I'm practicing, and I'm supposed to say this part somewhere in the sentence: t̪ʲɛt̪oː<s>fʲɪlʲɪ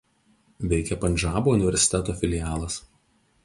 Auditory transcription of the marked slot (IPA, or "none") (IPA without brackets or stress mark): none